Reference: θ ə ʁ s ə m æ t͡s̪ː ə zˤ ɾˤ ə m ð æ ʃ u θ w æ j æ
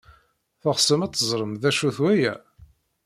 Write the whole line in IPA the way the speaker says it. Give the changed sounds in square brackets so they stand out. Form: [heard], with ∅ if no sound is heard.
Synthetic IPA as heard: θ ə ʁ s ə m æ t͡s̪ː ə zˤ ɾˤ ə m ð æ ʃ u θ w æ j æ